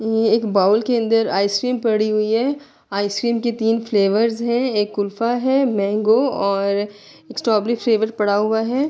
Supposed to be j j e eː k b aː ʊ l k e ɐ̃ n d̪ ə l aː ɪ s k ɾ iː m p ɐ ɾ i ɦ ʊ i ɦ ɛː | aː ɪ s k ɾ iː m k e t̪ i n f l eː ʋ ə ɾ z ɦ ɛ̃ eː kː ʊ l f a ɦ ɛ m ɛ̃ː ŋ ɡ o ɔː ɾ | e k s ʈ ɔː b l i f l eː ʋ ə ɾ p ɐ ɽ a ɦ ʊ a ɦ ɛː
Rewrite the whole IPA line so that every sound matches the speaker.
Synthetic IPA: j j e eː k b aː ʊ l k e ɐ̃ n d̪ ə ɾ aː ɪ s k ɾ iː m p ɐ ɽ i ɦ ʊ i ɦ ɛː | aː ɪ s k ɾ iː m k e t̪ iː n f l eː ʋ ə ɾ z ɦ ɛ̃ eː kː ʊ l f a ɦ ɛ m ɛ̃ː ŋ ɡ o ɔː ɾ | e k s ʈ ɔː b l i f l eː ʋ ə ɾ p ɐ ɽ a ɦ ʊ a ɦ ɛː